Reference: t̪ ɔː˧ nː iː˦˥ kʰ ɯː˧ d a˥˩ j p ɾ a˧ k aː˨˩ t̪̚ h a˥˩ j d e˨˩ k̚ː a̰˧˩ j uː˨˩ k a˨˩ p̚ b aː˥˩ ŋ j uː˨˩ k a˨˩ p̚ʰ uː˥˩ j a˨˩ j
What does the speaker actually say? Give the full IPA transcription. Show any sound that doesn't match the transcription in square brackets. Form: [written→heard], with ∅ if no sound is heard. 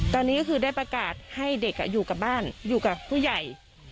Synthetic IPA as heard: t̪ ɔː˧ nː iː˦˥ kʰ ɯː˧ d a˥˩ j p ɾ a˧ k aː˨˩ t̪̚ h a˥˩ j d e˨˩ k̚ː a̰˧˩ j uː˨˩ k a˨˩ p̚ b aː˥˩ [ŋ→n] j uː˨˩ k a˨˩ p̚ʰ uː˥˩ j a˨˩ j